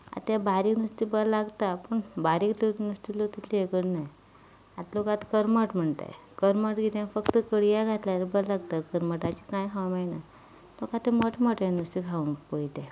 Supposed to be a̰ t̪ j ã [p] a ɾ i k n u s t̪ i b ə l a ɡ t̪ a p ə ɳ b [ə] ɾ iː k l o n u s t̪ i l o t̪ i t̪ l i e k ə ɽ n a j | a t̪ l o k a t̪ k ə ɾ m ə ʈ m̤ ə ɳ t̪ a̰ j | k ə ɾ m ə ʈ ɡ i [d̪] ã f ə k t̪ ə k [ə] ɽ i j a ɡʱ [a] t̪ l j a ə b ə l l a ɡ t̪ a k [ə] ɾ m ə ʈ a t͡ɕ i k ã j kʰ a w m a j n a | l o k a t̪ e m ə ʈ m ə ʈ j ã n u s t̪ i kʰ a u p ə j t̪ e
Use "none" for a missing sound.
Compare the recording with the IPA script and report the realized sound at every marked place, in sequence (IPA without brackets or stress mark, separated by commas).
b, a, t̪, ə, a, ə